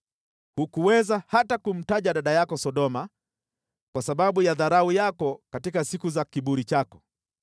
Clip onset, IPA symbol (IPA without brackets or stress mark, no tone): h